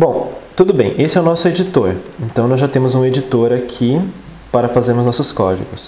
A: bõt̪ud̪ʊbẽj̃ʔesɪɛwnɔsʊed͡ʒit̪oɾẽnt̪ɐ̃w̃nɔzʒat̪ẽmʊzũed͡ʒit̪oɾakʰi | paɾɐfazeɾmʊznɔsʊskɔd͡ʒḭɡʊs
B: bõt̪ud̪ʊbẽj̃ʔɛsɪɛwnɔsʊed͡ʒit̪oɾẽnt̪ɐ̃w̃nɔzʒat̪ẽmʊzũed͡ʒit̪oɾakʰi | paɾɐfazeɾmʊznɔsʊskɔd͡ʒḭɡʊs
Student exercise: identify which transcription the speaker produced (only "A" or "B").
A